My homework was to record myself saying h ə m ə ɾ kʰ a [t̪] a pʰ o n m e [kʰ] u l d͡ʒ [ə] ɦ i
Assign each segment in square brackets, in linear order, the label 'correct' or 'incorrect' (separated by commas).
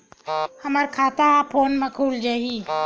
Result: correct, correct, incorrect